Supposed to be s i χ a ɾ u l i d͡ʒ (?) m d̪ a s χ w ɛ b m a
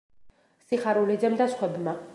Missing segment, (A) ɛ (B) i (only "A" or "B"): A